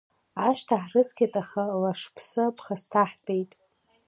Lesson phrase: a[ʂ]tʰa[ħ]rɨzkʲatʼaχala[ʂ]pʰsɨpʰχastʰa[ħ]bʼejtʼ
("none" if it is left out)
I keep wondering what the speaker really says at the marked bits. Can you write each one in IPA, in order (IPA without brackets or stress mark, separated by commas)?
ʃ, ħ, ʂ, ħ